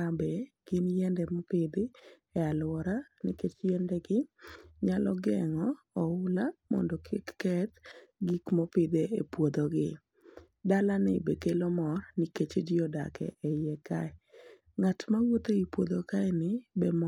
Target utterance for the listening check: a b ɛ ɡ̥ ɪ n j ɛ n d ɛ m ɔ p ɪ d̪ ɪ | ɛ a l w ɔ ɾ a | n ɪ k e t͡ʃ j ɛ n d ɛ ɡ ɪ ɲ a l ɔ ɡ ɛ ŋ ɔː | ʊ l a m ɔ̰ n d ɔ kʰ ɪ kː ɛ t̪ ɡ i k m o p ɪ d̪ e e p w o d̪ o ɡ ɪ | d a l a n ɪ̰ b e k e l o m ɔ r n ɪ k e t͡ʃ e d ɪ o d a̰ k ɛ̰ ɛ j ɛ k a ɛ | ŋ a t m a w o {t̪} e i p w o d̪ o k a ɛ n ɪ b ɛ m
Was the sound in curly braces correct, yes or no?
yes